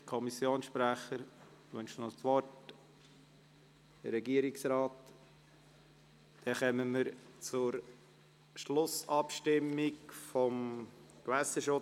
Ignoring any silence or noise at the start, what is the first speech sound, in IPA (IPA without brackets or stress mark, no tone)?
kʰ